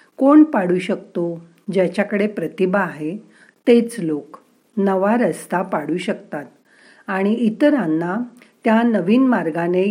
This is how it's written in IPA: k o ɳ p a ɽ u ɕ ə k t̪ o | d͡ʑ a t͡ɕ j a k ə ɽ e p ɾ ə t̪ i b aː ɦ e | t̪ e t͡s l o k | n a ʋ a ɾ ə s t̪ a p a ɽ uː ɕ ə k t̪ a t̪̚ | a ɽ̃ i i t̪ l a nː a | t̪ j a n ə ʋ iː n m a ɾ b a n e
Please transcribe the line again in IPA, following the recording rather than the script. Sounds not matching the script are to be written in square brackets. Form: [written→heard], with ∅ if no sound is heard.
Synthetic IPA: k o ɳ p a ɽ u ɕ ə k t̪ o | d͡ʑ a t͡ɕ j a k ə ɽ e p ɾ ə t̪ i b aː ɦ e | t̪ e t͡s l o k | n [a→ə] ʋ a ɾ ə s t̪ a p a ɽ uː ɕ ə k t̪ a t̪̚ | a ɽ̃ i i t̪ [l→ɾ] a nː a | t̪ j a n ə ʋ iː n m a ɾ [b→ɡ] a n e